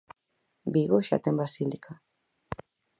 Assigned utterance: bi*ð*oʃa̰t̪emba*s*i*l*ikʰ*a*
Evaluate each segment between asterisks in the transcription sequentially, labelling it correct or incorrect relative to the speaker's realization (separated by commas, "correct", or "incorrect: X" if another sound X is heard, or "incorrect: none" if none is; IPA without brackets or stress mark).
incorrect: ɣ, correct, correct, correct